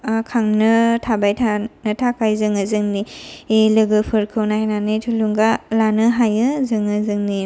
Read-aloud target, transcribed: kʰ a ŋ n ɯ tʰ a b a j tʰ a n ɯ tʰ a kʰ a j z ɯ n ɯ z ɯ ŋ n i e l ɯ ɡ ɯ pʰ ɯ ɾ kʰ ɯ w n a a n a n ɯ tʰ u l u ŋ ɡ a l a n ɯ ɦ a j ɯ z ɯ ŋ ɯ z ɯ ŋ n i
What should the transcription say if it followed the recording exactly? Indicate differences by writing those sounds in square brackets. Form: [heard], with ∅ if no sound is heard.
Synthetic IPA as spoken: kʰ a ŋ n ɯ tʰ a b a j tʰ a n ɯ tʰ a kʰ a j z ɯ [ŋ] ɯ z ɯ ŋ n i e l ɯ ɡ ɯ pʰ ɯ ɾ kʰ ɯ w n a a n a n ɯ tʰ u l u ŋ ɡ a l a n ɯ ɦ a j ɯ z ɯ ŋ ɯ z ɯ ŋ n i